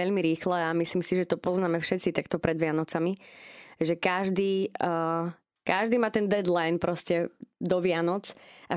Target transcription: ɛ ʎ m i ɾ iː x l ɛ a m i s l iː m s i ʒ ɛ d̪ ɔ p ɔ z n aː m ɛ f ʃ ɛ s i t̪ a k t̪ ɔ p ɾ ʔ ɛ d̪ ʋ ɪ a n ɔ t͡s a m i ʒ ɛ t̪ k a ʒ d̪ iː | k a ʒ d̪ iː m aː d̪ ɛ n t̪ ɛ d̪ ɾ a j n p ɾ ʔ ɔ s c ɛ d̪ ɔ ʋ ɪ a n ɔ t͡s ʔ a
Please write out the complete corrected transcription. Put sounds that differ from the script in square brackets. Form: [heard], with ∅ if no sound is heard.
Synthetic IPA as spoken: ɛ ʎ m i ɾ iː x l ɛ a m i s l iː m s i ʒ ɛ [t̪] ɔ p ɔ z n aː m ɛ f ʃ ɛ [t͡s] i t̪ a k t̪ ɔ p ɾ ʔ ɛ d̪ ʋ ɪ a n ɔ t͡s a m i ʒ ɛ [∅] k a ʒ d̪ iː | k a ʒ d̪ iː m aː [t̪] ɛ n [d̪] ɛ d̪ [l] a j n p ɾ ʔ ɔ s c ɛ d̪ ɔ ʋ ɪ a n ɔ t͡s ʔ a